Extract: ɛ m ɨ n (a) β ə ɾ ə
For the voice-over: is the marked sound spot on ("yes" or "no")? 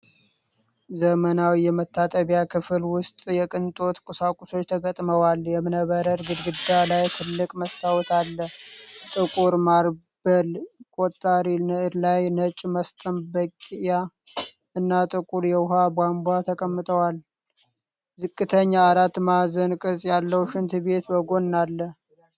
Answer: no